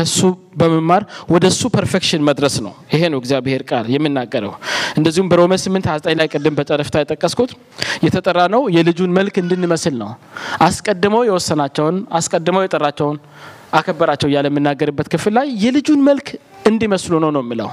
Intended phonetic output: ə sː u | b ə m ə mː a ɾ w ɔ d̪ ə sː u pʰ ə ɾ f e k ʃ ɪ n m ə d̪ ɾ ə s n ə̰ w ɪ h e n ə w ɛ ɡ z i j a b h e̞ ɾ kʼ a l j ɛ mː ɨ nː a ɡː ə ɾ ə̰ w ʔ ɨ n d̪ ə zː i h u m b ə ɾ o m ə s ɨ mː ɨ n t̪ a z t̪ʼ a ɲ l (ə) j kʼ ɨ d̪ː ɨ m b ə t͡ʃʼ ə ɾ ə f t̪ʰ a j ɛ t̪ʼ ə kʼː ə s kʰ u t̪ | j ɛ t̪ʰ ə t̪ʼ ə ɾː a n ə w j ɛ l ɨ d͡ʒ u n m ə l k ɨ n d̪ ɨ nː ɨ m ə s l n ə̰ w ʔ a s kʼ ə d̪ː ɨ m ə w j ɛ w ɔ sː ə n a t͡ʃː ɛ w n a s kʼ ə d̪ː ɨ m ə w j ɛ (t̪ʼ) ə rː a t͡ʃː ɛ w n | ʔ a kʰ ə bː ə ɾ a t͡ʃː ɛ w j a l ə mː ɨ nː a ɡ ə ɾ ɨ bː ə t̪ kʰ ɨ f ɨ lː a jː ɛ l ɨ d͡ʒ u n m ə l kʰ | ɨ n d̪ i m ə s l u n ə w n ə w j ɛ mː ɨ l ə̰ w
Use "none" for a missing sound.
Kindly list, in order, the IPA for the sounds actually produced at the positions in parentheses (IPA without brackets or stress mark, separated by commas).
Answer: a, t̪ʼ